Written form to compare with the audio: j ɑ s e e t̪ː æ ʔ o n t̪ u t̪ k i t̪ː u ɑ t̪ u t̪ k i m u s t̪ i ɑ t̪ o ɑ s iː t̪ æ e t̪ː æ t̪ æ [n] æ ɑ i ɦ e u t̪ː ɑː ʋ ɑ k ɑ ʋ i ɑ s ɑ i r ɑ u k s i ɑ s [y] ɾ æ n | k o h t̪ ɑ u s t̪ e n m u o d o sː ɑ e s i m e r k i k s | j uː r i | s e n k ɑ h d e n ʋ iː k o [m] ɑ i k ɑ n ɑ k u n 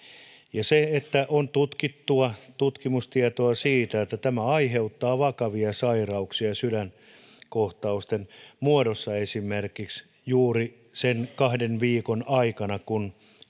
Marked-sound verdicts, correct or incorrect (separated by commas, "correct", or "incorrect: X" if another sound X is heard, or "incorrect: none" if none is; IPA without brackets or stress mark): incorrect: m, correct, incorrect: n